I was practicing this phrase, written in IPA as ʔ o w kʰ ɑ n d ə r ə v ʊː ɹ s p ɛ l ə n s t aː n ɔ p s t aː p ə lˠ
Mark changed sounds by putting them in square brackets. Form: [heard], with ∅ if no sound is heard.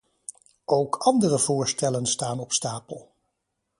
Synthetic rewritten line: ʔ o w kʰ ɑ n d ə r ə v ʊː ɹ s [t] ɛ l ə n s t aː n ɔ p s t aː p ə lˠ